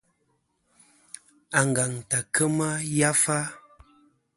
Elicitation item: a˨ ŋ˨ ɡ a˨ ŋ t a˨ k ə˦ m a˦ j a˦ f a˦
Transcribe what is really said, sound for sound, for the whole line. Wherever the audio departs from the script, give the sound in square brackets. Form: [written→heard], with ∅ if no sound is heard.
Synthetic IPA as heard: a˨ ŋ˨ ɡ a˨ ŋ t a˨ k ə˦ m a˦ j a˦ f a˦